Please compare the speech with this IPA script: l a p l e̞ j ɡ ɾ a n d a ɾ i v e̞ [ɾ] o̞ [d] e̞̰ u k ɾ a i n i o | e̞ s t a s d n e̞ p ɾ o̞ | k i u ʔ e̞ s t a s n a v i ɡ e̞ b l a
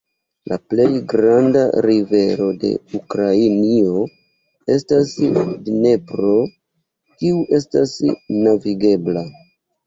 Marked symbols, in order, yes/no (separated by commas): yes, yes